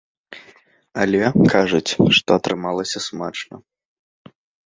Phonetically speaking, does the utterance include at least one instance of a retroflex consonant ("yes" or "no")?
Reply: yes